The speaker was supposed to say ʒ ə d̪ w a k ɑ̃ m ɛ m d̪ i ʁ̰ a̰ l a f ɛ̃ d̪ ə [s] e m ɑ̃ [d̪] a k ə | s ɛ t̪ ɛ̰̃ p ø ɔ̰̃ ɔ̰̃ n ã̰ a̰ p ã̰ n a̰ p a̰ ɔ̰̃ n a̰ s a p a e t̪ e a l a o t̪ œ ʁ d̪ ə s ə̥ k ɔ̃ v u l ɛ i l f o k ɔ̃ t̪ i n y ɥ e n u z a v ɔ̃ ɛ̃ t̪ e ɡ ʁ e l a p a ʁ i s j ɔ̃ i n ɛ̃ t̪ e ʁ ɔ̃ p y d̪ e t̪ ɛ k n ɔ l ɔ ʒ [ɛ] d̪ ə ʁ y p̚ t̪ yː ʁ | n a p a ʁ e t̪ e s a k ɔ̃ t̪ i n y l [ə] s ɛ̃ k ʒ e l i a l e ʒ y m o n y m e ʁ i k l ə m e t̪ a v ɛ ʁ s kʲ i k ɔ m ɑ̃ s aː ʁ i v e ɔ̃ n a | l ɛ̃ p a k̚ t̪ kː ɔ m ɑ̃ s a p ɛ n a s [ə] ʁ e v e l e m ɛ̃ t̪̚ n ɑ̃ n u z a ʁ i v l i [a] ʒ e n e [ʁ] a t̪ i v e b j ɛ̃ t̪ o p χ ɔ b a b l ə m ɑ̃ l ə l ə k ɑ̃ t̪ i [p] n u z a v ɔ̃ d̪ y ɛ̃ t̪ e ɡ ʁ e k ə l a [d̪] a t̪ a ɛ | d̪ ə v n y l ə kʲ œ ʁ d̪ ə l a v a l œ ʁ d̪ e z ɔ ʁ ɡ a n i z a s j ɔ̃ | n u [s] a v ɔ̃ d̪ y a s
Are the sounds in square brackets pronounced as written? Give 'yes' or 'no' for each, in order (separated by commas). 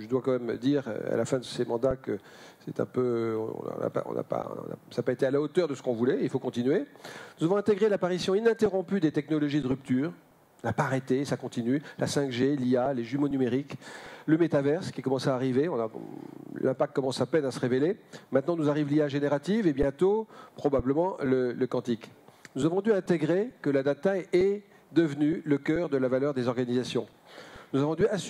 yes, yes, no, no, yes, yes, yes, no, yes, no